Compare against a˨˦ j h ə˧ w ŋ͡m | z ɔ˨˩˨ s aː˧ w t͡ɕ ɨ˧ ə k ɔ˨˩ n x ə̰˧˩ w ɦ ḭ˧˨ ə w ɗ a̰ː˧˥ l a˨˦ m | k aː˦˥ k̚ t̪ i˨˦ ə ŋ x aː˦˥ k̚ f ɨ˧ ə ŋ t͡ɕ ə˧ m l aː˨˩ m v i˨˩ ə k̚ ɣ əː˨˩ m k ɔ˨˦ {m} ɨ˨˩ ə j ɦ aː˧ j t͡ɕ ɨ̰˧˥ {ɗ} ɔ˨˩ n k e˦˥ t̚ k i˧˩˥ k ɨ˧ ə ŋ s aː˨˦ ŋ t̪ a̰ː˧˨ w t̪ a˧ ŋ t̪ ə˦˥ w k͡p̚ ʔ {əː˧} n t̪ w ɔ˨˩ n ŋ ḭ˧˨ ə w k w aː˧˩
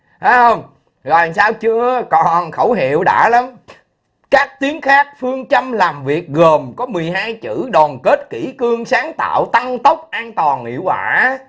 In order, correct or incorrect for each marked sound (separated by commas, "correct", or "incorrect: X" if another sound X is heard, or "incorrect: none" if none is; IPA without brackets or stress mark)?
correct, correct, incorrect: aː˧